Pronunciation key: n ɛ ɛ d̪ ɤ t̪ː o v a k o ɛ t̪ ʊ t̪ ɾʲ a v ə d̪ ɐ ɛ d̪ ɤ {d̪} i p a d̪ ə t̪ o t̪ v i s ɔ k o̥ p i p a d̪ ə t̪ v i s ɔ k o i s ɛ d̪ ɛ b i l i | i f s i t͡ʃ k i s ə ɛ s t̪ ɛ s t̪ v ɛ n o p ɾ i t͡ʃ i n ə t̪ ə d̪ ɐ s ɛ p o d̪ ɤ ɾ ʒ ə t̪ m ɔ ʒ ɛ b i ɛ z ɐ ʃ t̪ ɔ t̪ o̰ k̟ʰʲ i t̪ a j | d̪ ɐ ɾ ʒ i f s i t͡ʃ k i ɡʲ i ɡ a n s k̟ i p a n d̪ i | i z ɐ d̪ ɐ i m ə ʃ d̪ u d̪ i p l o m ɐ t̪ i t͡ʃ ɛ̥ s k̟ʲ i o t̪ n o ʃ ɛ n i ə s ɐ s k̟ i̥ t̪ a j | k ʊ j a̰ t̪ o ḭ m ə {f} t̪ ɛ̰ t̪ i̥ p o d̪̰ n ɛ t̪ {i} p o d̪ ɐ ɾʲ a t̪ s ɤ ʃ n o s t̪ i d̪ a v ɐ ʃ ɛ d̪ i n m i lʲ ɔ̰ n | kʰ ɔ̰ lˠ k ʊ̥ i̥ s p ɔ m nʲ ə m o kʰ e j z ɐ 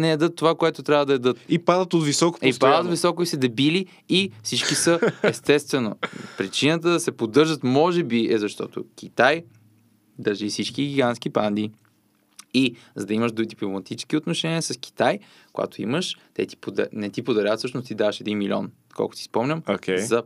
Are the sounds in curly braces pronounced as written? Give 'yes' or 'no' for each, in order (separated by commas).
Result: no, no, yes